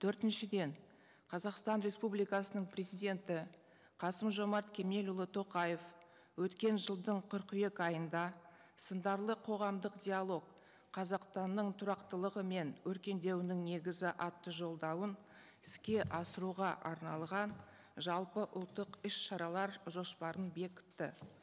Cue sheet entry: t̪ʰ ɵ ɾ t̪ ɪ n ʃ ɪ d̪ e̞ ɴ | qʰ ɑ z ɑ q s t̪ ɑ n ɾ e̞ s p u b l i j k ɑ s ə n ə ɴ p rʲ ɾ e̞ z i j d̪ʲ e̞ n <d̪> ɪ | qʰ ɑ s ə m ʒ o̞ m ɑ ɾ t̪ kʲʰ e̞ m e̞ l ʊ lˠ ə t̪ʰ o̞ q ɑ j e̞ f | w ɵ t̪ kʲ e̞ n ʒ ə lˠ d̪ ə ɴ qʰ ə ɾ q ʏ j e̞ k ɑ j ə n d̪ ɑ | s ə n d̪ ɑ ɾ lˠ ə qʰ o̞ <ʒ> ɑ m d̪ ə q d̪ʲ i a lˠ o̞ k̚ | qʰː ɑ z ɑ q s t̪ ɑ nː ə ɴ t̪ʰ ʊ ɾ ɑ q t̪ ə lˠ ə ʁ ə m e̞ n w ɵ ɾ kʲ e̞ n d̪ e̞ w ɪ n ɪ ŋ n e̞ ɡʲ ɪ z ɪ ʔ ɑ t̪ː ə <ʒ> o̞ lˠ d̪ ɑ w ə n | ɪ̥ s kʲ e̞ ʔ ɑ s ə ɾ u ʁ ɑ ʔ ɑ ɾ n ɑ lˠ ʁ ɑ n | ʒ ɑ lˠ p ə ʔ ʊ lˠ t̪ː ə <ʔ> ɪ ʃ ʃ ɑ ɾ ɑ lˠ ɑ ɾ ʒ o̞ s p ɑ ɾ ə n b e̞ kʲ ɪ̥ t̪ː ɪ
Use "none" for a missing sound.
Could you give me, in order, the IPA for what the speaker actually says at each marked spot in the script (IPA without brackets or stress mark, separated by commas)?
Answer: t̪, ʁ, ʒ, q